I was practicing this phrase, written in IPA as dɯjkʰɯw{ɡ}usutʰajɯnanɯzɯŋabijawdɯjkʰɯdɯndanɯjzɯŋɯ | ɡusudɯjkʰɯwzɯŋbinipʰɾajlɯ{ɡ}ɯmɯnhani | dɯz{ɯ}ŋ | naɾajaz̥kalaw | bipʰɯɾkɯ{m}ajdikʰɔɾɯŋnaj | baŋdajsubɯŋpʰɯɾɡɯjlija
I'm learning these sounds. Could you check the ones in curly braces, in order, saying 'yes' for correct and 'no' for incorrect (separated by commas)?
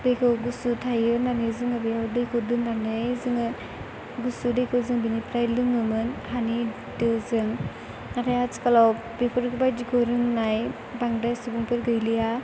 yes, no, yes, no